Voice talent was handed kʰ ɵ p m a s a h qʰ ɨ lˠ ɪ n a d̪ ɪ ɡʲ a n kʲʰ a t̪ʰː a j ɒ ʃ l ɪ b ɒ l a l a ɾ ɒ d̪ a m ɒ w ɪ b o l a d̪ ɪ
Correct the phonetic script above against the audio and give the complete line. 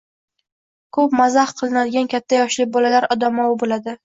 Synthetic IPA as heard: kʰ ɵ p m a z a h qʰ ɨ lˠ ɪ n a d̪ ɪ ɡʲ a n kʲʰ a t̪ʰː a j ɒ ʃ l ɪ b ɒ l a l a ɾ ɒ d̪ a m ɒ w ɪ b o l a d̪ ɪ